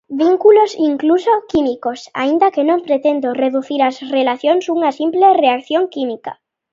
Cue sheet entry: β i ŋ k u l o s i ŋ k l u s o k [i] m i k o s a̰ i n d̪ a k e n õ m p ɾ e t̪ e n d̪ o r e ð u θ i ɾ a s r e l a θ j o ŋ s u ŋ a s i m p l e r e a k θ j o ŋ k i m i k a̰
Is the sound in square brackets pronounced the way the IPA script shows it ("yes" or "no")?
yes